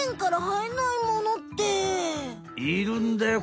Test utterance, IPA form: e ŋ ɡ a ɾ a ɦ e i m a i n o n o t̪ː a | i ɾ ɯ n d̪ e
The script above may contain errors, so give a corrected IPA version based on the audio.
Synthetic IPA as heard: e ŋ k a ɾ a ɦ a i n a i m o n o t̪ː e | i ɾ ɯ n d̪ e